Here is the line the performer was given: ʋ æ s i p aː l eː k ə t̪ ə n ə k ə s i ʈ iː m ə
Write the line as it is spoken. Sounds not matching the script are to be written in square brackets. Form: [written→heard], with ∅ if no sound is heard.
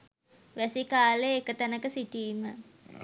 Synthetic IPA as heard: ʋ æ s i [p→k] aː l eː k ə t̪ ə n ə k ə s i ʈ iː m ə